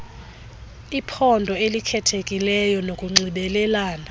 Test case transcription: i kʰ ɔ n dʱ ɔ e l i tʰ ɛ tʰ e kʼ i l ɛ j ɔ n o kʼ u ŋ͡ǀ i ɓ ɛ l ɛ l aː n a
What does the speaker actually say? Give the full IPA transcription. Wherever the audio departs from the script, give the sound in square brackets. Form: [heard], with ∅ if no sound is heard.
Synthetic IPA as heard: i [pʰ] ɔ n dʱ ɔ e l i [kʰ] ɛ tʰ e kʼ i l ɛ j ɔ n o kʼ u ŋ͡ǀ i ɓ ɛ l ɛ l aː n a